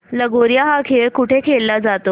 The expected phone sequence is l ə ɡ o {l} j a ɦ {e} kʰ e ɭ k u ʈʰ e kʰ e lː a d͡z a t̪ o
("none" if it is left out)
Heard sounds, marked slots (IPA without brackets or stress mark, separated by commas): ɾ, a